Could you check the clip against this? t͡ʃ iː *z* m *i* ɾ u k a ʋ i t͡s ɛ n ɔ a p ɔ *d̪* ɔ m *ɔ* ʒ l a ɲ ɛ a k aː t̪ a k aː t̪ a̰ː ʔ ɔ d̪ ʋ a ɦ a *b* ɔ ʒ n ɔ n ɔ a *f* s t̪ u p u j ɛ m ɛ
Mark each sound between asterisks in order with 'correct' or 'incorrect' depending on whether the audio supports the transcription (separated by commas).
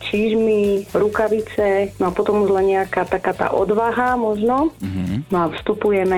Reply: incorrect, correct, incorrect, incorrect, incorrect, correct